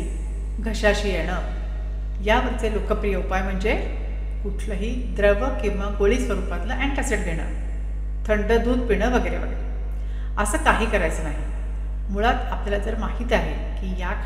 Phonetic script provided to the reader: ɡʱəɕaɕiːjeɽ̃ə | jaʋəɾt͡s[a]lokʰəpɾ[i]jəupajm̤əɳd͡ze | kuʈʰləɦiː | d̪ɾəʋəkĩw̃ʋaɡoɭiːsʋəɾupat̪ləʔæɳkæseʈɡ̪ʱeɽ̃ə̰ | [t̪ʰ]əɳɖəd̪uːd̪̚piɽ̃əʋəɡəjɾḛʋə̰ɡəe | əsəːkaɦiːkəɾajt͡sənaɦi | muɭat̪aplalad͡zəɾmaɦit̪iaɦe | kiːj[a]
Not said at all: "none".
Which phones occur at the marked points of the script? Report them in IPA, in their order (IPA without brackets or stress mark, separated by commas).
e, i, t̪ʰ, a